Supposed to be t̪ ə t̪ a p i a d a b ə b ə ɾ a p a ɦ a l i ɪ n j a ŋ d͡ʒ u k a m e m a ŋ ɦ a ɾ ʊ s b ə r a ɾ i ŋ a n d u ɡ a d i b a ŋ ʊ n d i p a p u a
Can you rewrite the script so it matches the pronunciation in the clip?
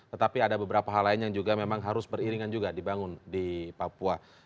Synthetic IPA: t̪ ə t̪ a p i a d a b ə b ə ɾ a p a ɦ a l a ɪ n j a ŋ d͡ʒ u ɡ a m e m a ŋ ɦ a ɾ ʊ s b ə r i ɾ i ŋ a n d͡ʒ u ɡ a d i b a ŋ ʊ n d i p a p u a